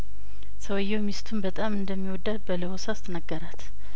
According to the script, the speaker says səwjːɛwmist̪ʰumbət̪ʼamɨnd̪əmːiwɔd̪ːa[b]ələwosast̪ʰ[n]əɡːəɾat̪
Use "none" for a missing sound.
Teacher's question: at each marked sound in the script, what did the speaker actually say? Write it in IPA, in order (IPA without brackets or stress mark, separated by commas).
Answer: b, n